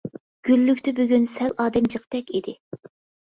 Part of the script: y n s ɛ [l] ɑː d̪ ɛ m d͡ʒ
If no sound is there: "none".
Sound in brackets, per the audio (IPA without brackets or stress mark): l